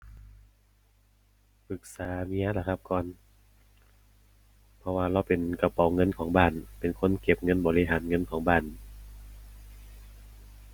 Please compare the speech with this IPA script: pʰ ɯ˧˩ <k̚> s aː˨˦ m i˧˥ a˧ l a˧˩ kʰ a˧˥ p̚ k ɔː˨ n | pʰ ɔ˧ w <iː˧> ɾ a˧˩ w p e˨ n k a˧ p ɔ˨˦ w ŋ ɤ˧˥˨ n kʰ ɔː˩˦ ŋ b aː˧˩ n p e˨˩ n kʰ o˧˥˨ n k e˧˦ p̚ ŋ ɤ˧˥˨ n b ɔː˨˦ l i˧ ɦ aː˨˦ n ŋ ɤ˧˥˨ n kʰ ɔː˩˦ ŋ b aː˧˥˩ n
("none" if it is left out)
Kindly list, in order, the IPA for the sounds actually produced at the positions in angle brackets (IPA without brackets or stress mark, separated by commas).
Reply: k̚, aː˧